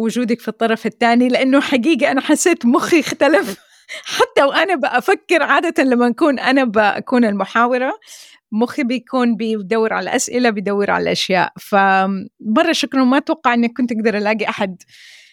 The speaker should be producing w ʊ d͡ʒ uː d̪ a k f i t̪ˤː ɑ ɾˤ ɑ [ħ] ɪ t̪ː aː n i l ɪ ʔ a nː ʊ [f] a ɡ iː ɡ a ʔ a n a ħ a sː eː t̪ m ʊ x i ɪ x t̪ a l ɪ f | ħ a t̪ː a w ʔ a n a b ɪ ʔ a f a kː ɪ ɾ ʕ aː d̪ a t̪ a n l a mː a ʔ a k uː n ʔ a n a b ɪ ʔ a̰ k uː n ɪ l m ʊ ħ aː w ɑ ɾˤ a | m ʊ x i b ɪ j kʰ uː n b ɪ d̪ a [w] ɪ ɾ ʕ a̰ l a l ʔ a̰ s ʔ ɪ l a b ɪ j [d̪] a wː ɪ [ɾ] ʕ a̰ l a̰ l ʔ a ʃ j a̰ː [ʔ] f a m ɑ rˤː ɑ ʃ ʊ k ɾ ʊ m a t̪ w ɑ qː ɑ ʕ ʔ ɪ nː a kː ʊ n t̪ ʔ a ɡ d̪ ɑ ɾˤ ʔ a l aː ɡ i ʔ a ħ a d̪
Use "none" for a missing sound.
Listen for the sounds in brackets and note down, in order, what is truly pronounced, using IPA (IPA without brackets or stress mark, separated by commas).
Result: f, ħ, wː, d̪, ɾ, ʔ